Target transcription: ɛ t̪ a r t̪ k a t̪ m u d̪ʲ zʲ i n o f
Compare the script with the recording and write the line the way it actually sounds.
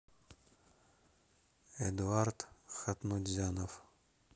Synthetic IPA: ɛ d̪ a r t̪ x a t̪ n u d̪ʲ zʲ a n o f